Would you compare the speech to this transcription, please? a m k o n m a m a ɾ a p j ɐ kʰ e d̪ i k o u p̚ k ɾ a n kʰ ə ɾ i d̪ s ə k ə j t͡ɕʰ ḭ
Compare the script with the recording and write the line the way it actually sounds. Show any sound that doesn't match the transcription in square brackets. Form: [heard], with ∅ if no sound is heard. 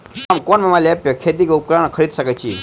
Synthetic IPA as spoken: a m k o n m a m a [l] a p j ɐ kʰ e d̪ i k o u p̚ k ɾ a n kʰ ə ɾ i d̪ s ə k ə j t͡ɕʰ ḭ